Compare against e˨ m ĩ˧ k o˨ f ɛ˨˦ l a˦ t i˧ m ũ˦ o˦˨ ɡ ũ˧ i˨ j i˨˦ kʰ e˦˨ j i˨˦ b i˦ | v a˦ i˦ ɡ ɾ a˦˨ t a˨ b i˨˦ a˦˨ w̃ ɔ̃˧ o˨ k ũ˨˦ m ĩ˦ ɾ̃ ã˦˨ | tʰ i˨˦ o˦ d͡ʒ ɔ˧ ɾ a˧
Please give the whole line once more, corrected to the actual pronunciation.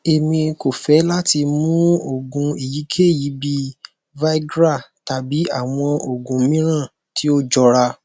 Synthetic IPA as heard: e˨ m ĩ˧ k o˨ f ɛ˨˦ l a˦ t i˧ m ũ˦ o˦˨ ɡ ũ˧ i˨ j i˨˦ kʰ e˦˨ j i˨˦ b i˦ | v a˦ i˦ ɡ ɾ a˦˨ t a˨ b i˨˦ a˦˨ w̃ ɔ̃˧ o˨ ɡ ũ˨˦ m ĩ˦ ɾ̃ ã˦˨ | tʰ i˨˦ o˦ d͡ʒ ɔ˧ ɾ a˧